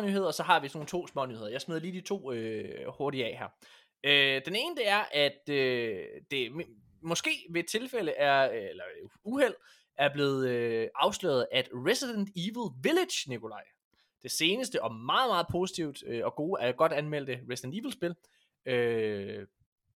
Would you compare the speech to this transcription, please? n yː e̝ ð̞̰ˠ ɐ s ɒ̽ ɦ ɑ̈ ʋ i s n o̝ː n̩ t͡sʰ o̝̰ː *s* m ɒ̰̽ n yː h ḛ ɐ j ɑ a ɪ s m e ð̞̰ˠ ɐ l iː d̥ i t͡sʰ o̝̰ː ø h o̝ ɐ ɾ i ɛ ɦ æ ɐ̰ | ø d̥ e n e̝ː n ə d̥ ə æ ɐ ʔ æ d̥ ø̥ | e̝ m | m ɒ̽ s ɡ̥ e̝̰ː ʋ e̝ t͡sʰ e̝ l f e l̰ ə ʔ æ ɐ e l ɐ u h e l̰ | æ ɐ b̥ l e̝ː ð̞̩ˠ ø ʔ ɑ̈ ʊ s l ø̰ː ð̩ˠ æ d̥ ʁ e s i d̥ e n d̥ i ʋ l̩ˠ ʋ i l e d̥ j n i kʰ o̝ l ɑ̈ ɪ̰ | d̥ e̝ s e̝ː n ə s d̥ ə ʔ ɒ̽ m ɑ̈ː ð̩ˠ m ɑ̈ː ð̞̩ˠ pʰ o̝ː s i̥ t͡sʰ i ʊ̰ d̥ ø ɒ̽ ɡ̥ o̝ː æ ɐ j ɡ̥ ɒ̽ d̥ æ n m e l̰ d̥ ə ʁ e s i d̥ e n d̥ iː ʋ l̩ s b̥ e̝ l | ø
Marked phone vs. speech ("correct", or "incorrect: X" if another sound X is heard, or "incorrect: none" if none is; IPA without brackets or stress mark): correct